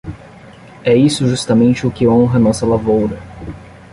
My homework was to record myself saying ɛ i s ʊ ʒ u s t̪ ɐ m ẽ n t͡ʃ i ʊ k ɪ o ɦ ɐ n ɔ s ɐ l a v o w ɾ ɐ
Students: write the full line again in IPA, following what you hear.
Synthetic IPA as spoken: ɛ i s ʊ ʒ u s t̪ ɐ m ẽ n t͡ʃ ɪ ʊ k ɪ õ ɦ ɐ n ɔ s ɐ l a v o w ɾ ɐ